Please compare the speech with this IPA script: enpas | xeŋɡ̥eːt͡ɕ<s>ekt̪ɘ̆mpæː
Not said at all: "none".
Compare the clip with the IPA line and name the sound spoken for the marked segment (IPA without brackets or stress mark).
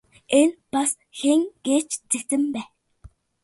t͡s